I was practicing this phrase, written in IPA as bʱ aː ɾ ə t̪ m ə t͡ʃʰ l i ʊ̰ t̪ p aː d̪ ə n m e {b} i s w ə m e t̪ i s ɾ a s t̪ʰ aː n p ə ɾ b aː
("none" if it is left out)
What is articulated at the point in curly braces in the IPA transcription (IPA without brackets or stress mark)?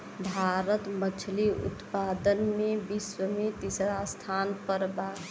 b